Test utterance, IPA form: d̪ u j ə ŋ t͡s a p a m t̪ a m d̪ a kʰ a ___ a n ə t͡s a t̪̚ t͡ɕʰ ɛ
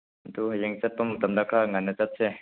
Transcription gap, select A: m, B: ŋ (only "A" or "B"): B